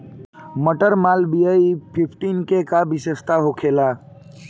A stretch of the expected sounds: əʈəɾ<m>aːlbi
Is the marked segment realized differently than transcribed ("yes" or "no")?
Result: no